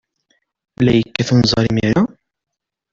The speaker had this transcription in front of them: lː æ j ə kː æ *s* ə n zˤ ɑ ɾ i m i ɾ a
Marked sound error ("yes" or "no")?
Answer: yes